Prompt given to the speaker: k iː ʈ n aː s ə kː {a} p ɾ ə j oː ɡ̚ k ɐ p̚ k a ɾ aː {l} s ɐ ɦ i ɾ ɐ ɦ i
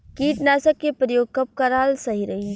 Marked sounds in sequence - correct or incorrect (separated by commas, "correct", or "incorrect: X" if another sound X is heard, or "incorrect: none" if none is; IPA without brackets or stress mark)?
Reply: incorrect: e, correct